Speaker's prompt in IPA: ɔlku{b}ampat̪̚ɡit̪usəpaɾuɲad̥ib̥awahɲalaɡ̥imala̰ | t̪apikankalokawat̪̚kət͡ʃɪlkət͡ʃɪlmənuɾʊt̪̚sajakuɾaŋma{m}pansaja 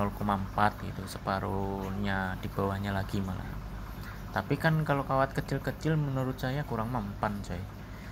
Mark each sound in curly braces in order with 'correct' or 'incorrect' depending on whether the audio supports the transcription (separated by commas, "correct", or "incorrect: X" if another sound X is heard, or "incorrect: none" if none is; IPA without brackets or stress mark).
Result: incorrect: m, correct